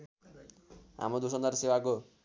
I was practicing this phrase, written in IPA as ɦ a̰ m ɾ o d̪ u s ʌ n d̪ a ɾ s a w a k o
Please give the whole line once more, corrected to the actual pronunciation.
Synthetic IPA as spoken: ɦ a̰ m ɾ o d̪ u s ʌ n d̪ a ɾ s e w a k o